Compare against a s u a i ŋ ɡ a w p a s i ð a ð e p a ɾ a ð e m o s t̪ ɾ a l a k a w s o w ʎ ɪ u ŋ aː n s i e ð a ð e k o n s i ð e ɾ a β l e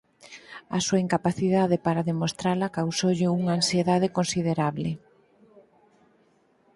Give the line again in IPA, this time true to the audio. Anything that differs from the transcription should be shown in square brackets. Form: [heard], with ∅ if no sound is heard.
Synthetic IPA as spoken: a s u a i ŋ [k] a [∅] p a [θ] i ð a ð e p a ɾ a ð e m o s t̪ ɾ a l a k a w s o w ʎ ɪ u ŋ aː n s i e ð a ð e k o n s i ð e ɾ a β l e